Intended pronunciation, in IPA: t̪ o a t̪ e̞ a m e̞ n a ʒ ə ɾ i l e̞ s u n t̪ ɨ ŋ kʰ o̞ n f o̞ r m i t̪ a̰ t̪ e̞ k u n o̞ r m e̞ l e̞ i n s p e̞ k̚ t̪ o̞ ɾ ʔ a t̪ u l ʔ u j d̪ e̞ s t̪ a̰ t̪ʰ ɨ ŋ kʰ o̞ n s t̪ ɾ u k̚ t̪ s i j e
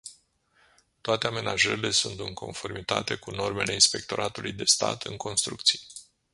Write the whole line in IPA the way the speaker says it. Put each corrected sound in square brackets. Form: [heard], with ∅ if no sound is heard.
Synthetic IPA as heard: t̪ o a t̪ e̞ a m e̞ n a ʒ ə ɾ i l e̞ s u n t̪ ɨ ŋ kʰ o̞ n f o̞ r m i t̪ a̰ t̪ e̞ k u n o̞ r m e̞ l e̞ i n s p e̞ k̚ t̪ o̞ ɾ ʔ a t̪ u l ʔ u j d̪ e̞ s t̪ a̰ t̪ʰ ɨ ŋ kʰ o̞ n s t̪ ɾ u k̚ t̪ s i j e